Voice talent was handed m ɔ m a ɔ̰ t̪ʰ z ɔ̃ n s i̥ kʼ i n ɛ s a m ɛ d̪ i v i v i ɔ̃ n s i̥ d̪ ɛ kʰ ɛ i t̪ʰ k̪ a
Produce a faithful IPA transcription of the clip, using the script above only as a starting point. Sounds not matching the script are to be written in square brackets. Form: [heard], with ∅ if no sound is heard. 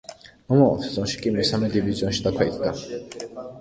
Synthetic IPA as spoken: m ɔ m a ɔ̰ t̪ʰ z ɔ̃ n [ʃ] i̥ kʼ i [m] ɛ s a m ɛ d̪ i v i [z] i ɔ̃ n [ʃ] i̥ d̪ [a] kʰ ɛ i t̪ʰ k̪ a